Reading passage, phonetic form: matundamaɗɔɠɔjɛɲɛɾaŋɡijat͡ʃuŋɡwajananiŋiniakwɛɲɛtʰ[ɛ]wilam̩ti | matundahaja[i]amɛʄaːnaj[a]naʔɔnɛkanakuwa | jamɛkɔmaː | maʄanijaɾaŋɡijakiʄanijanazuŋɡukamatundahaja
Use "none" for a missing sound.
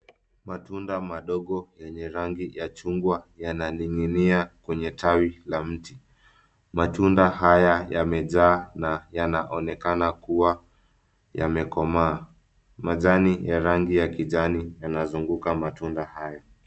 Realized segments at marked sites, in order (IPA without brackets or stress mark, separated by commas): a, j, a